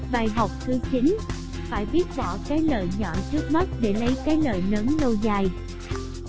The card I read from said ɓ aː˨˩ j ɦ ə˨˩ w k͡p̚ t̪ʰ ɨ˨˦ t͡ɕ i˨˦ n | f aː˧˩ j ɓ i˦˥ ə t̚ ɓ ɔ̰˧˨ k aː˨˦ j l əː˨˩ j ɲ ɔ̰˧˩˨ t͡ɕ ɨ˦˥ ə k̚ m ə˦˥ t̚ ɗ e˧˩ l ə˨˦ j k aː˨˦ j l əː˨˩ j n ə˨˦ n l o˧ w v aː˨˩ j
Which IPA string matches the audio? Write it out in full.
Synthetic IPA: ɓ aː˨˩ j ɦ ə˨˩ w k͡p̚ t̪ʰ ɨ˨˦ t͡ɕ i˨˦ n | f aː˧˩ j ɓ i˦˥ ə t̚ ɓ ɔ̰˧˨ k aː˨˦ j l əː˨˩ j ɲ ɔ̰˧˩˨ t͡ɕ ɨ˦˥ ə k̚ m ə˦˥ t̚ ɗ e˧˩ l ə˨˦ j k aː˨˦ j l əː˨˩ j n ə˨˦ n l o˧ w z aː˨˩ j